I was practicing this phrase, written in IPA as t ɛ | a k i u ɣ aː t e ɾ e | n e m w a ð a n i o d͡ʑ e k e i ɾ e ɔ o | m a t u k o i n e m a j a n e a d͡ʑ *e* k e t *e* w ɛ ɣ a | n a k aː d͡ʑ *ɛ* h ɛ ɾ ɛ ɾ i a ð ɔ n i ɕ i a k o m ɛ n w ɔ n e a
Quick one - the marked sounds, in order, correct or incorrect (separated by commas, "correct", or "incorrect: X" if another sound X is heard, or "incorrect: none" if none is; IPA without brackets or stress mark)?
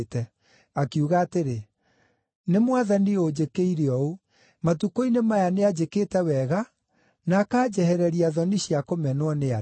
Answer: correct, incorrect: ɛ, correct